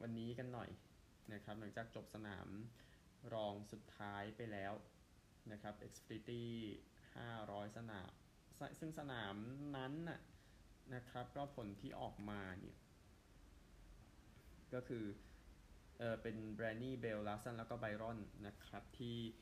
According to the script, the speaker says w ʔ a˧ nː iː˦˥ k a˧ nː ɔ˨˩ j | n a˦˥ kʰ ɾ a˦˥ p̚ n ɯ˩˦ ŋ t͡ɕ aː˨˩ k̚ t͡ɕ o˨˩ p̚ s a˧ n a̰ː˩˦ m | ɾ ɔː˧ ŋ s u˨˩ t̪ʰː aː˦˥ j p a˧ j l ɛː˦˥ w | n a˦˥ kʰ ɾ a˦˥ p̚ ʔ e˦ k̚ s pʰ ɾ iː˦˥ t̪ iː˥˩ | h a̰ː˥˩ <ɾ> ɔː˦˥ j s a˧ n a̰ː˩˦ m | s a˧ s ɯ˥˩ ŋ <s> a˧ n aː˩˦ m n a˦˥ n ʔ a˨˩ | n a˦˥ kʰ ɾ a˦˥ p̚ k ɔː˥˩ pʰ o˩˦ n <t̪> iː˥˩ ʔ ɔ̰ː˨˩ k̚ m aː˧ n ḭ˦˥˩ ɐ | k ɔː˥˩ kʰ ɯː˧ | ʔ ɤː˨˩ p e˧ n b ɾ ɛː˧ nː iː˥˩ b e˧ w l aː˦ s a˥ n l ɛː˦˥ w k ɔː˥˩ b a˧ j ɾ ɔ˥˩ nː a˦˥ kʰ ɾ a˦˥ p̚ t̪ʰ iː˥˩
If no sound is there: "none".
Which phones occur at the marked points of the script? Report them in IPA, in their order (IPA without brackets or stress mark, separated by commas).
ɾ, s, t̪ʰ